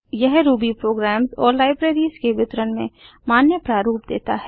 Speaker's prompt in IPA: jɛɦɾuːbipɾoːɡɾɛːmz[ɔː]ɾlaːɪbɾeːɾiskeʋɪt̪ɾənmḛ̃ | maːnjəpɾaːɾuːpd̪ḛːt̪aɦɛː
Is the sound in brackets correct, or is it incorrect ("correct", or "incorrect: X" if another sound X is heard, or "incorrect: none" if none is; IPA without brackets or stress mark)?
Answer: correct